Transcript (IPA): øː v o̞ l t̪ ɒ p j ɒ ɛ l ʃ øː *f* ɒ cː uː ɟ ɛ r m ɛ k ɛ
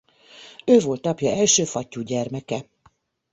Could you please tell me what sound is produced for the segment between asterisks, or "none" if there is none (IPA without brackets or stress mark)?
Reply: f